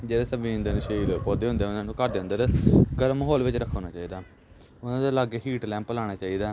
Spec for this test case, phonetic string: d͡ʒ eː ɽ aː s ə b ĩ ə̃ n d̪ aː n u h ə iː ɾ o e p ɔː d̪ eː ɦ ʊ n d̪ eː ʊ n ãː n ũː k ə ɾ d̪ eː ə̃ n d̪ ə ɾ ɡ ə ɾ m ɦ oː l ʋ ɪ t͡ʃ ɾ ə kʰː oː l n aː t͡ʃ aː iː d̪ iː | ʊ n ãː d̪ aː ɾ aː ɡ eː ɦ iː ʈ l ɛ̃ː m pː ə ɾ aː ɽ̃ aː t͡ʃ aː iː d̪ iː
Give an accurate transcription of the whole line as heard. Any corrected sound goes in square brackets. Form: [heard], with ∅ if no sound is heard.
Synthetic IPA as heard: d͡ʒ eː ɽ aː s ə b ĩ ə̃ n d̪ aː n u [ʃ] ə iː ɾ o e p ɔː d̪ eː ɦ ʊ n d̪ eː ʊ n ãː n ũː k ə ɾ d̪ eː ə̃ n d̪ ə ɾ ɡ ə ɾ m ɦ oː l ʋ ɪ t͡ʃ ɾ ə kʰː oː [∅] n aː t͡ʃ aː iː d̪ [aː] | ʊ n ãː d̪ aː [l] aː ɡ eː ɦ iː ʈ l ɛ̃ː m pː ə [l] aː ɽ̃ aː t͡ʃ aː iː d̪ [aː]

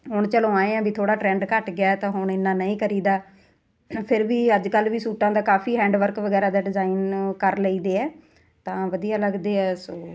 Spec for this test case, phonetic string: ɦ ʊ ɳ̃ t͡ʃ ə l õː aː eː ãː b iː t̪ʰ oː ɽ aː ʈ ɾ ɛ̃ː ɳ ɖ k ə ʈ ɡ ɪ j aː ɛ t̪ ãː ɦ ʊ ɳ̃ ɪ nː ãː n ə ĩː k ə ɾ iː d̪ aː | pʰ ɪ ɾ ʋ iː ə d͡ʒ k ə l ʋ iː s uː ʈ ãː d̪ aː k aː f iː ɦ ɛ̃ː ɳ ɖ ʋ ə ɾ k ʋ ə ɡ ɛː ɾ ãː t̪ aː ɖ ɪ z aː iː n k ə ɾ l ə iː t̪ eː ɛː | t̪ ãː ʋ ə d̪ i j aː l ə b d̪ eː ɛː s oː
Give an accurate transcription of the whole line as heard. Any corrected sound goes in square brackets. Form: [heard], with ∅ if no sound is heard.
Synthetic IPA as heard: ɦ ʊ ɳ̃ t͡ʃ ə l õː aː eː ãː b iː t̪ʰ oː ɽ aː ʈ ɾ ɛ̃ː ɳ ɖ k ə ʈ ɡ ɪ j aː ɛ t̪ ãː ɦ ʊ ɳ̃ ɪ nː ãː n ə ĩː k ə ɾ iː d̪ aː | pʰ ɪ ɾ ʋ iː ə d͡ʒ k ə l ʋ iː s uː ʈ ãː d̪ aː k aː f iː ɦ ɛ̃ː ɳ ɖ ʋ ə ɾ k ʋ ə ɡ ɛː ɾ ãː [d̪] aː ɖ ɪ z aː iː n k ə ɾ l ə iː [d̪] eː ɛː | t̪ ãː ʋ ə d̪ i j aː l ə [ɡ] d̪ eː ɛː s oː

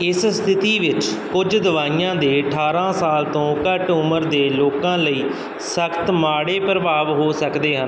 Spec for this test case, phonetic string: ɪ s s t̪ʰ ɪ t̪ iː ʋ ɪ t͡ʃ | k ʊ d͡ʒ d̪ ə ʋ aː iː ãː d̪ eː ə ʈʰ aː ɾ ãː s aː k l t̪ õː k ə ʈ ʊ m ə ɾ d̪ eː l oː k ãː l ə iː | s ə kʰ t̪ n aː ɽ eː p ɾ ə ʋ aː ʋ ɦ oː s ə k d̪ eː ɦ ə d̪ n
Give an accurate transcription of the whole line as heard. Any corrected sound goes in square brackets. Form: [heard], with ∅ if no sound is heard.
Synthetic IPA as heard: ɪ s s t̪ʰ ɪ t̪ iː ʋ ɪ t͡ʃ | k ʊ d͡ʒ d̪ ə ʋ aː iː ãː d̪ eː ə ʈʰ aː ɾ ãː s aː [∅] l t̪ õː k ə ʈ ʊ m ə ɾ d̪ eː l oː k ãː l ə iː | s ə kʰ t̪ [m] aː ɽ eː p ɾ ə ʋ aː ʋ ɦ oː s ə k d̪ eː ɦ ə [∅] n

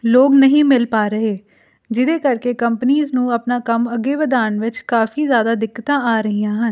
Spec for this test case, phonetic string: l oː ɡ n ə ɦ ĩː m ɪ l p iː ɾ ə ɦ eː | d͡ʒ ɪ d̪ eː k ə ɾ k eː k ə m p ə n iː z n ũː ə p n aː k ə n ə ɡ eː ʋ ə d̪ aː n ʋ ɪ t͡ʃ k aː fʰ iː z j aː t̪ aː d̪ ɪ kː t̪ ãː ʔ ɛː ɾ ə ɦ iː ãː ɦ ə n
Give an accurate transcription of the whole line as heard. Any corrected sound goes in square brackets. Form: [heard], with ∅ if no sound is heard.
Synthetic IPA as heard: l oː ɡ n ə ɦ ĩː m ɪ l p [aː] ɾ ə ɦ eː | d͡ʒ ɪ d̪ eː k ə ɾ k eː k ə m p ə n iː z n ũː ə p n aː k ə [m] ə ɡ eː ʋ ə d̪ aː n ʋ ɪ t͡ʃ k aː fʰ iː z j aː [d̪] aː d̪ ɪ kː t̪ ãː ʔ [aː] ɾ ə ɦ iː ãː ɦ ə n

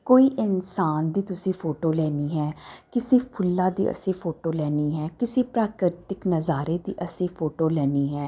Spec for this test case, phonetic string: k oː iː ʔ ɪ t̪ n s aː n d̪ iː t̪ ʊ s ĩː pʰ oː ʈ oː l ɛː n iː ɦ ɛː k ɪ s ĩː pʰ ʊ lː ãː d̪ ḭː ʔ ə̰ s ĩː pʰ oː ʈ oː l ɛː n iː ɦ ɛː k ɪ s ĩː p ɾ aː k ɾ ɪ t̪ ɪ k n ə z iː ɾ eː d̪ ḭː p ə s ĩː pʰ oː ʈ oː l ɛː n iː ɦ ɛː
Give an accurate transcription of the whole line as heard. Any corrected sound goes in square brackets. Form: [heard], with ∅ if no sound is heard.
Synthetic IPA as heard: k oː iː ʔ ɪ [∅] n s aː n d̪ iː t̪ ʊ s ĩː pʰ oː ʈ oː l ɛː n iː ɦ ɛː k ɪ s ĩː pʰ ʊ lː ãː d̪ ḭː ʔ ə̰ s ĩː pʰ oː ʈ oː l ɛː n iː ɦ ɛː k ɪ s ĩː p ɾ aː k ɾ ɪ t̪ ɪ k n ə z [aː] ɾ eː d̪ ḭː [ʔ] ə s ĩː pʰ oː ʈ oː l ɛː n iː ɦ ɛː

